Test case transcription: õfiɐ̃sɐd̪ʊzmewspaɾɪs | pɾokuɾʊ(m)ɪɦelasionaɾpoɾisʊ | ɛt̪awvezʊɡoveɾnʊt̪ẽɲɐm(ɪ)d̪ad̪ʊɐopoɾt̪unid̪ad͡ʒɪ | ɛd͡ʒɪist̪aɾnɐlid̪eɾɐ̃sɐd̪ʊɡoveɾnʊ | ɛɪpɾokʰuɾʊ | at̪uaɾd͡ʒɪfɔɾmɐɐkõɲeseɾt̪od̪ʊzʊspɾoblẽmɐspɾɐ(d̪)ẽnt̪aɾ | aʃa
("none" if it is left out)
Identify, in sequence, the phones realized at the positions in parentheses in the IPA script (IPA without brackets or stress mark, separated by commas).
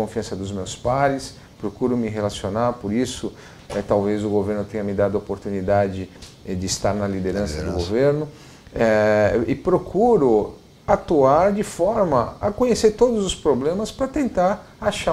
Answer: m, ɪ, t̪